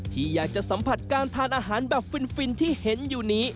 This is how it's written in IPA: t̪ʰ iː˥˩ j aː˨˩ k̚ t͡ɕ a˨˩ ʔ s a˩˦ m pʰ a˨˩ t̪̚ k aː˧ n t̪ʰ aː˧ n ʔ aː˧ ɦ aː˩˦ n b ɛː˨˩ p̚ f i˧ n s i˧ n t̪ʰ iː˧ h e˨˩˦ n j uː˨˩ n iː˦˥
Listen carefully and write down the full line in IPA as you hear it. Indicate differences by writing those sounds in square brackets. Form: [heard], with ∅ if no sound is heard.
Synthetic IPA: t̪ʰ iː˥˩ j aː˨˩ k̚ t͡ɕ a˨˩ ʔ s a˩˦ m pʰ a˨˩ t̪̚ k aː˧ n t̪ʰ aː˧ n ʔ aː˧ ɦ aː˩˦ n b ɛː˨˩ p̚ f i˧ n [f] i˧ n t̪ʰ [iː˥˩] h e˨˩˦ n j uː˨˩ n iː˦˥